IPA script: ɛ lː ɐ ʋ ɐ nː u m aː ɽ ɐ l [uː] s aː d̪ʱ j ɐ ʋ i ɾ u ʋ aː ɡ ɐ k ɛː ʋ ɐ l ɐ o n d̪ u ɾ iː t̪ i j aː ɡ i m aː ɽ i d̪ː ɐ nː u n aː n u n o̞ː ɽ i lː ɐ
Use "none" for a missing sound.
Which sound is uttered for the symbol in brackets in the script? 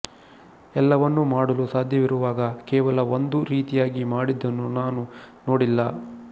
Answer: u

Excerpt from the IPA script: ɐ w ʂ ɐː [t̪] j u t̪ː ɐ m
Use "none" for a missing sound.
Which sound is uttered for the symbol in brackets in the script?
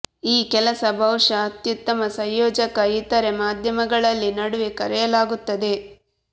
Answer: t̪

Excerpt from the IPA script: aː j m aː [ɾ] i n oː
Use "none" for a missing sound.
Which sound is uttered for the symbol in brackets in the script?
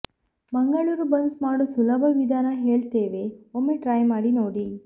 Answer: ɽ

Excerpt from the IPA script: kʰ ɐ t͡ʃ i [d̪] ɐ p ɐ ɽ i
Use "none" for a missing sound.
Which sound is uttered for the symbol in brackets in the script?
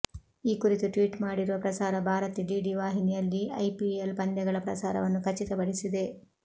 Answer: t̪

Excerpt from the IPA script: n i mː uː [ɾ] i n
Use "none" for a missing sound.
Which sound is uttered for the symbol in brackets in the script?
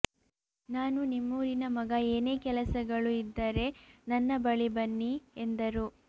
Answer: ɾ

